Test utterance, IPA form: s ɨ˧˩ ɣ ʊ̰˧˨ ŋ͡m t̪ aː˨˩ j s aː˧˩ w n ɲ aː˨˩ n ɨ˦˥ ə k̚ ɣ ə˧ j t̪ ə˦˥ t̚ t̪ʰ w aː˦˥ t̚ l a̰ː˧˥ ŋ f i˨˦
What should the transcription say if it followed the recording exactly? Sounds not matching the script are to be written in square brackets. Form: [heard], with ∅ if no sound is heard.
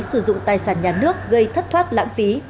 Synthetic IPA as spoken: s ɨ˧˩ [z] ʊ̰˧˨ ŋ͡m t̪ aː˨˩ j s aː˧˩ [∅] n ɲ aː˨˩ n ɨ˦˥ ə k̚ ɣ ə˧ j [t̪ʰ] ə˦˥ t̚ t̪ʰ w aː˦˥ t̚ l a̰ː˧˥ ŋ f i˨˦